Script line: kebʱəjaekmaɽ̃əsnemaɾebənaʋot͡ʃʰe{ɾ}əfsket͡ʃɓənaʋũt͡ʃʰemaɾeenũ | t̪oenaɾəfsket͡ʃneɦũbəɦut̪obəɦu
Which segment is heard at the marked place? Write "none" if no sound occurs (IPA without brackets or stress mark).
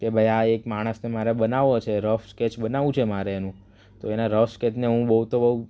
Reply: ɾ